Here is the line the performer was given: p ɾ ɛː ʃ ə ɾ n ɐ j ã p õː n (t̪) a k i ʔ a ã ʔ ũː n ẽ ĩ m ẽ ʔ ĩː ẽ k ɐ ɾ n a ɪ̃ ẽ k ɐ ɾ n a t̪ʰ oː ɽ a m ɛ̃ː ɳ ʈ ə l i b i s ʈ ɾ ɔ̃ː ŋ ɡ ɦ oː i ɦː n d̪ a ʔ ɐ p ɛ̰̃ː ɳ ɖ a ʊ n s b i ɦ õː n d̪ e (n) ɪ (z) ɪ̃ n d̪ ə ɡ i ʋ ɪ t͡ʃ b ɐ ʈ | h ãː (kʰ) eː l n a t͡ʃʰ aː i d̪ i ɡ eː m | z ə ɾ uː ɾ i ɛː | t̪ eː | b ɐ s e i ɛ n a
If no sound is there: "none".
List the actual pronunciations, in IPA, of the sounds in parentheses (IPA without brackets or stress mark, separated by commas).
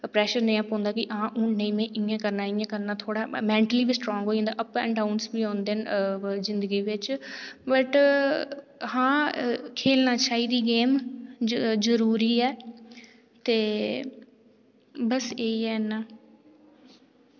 d̪, n, z, kʰ